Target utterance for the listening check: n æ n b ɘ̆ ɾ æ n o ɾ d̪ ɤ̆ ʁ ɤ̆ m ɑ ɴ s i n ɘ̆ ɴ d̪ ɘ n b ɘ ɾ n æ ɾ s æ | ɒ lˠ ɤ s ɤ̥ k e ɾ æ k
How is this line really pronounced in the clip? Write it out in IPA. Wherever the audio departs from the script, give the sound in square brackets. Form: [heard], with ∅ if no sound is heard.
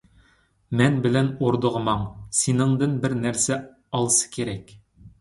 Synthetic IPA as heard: [m] æ n b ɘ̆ [l] æ n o ɾ d̪ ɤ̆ ʁ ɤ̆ m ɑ ɴ s i n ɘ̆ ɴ d̪ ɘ n b ɘ ɾ n æ ɾ s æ | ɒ lˠ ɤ s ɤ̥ k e ɾ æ k